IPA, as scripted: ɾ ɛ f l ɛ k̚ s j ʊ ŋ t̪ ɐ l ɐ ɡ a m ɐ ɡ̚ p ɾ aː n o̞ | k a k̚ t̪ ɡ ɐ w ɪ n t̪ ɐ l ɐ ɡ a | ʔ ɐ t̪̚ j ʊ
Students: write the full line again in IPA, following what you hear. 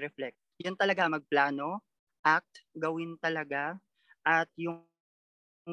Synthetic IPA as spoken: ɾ ɛ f l ɛ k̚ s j ʊ n t̪ ɐ l ɐ ɡ a m ɐ ɡ̚ p l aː n o̞ | ʔ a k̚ t̪ ɡ ɐ w ɪ n t̪ ɐ l ɐ ɡ a | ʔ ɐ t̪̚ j ʊ